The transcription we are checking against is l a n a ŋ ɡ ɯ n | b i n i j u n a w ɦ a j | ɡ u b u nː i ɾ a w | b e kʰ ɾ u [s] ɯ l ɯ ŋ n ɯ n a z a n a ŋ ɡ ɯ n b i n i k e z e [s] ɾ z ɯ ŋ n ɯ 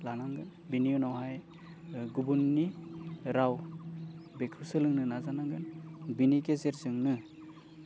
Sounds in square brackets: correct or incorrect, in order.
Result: correct, incorrect: none

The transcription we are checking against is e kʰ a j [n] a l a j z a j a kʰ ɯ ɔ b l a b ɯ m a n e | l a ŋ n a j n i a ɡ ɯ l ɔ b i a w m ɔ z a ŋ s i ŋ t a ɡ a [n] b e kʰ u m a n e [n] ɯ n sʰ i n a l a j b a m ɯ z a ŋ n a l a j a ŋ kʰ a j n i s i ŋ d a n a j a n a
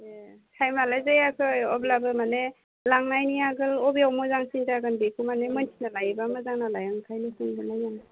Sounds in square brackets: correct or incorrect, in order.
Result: incorrect: m, correct, incorrect: m

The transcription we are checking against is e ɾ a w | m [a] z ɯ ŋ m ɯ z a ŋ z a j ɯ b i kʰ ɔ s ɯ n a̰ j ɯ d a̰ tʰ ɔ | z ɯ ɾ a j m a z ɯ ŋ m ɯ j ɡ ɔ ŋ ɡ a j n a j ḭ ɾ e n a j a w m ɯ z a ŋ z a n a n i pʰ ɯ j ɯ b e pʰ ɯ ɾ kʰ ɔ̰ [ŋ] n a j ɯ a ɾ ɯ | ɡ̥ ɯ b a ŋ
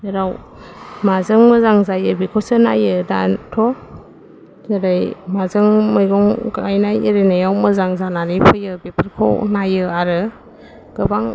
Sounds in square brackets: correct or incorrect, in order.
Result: correct, incorrect: none

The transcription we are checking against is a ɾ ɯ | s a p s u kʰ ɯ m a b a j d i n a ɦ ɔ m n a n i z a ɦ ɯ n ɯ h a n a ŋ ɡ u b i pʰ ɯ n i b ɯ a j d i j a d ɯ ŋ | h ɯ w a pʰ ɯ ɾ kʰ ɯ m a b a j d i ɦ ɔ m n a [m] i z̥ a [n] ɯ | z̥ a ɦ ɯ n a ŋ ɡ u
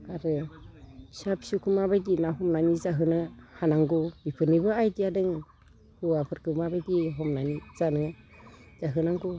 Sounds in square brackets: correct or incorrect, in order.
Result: incorrect: n, correct

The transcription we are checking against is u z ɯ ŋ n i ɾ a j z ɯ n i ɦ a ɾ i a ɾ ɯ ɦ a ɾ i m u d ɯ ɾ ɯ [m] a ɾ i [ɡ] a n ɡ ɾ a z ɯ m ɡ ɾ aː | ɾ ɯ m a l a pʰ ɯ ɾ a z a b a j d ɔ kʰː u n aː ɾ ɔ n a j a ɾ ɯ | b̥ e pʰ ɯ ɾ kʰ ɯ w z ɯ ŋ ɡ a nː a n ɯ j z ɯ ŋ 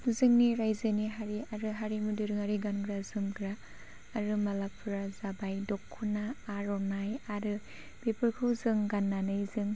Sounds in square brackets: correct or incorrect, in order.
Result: incorrect: ŋ, correct

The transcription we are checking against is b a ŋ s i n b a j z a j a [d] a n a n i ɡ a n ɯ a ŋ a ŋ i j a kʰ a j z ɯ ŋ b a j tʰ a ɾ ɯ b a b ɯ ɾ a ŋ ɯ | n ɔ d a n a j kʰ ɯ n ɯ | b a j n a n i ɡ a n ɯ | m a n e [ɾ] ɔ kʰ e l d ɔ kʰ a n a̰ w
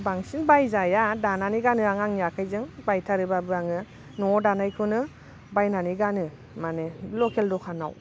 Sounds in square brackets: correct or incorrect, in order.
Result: correct, incorrect: l

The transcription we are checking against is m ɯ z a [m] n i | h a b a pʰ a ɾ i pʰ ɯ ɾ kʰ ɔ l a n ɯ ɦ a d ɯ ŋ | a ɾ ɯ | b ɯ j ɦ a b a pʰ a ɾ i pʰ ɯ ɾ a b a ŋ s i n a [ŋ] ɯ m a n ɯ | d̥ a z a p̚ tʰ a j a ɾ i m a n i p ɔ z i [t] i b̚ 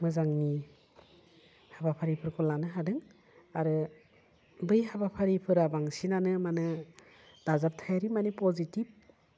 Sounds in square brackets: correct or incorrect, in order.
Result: incorrect: ŋ, incorrect: n, correct

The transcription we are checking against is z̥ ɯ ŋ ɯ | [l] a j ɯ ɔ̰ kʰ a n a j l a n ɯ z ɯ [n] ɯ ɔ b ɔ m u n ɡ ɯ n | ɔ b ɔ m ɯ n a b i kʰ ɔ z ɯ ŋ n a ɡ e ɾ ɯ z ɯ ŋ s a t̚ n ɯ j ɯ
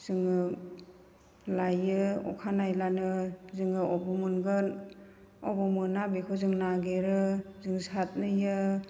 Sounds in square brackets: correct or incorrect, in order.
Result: correct, incorrect: ŋ

